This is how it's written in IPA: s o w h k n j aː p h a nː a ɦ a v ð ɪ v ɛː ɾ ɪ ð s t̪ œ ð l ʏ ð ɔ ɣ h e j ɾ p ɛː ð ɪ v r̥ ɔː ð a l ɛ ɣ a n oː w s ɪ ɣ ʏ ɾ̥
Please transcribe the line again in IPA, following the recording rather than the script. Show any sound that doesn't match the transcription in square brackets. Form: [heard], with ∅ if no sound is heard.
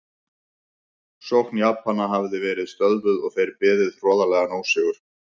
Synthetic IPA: s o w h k n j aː p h a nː a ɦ a v ð ɪ v ɛː ɾ ɪ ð s t̪ œ ð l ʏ ð ɔ ɣ [θ] e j ɾ p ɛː ð ɪ [ð] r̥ ɔː ð a l ɛ ɣ a n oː w s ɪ ɣ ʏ ɾ̥